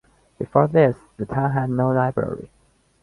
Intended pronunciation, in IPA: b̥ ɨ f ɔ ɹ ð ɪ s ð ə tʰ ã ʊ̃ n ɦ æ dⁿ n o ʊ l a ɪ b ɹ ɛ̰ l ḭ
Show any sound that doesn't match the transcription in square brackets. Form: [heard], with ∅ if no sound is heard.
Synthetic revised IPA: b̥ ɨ f ɔ ɹ ð ɪ s ð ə tʰ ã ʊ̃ n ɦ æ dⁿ n o ʊ l a ɪ b ɹ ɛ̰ [ɹ] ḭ